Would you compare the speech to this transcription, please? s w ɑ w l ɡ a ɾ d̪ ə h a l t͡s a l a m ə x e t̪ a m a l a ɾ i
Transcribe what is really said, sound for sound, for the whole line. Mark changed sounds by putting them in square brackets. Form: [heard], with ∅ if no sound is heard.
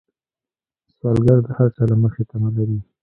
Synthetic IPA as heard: s w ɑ [∅] l ɡ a ɾ d̪ ə h a [ɾ] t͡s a l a m ə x e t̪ a m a l a ɾ i